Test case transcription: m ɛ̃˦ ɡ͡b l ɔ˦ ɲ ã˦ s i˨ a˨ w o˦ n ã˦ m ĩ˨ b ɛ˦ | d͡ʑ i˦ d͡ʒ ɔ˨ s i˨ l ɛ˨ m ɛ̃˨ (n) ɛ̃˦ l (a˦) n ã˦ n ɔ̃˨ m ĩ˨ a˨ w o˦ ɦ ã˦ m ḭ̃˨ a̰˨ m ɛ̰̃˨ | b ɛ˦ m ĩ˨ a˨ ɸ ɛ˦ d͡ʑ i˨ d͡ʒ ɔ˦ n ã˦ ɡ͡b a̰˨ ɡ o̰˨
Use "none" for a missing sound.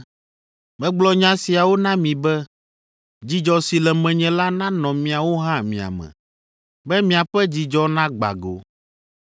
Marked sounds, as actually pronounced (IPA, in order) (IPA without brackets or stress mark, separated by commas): ɲ, a˦